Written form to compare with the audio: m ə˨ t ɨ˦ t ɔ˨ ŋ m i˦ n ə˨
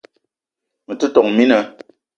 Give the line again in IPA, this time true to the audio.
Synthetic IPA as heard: m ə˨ t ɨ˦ t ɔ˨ ŋ m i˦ n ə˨